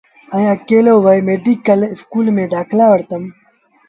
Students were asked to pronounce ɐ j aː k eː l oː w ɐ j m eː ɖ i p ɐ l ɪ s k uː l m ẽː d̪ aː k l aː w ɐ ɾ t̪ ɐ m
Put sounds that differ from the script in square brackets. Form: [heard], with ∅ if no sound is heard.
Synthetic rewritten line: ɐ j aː k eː l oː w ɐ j m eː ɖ i [k] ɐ l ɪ s k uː l m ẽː d̪ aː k l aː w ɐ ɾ t̪ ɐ m